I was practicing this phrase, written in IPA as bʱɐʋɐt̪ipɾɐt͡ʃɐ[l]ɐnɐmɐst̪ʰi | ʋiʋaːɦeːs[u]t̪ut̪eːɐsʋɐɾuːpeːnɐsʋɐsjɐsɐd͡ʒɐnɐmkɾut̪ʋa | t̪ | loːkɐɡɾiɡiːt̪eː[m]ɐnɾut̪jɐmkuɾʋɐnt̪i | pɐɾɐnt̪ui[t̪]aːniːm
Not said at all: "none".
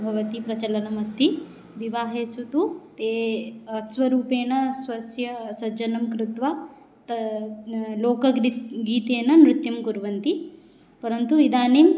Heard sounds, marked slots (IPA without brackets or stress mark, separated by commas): l, u, n, d̪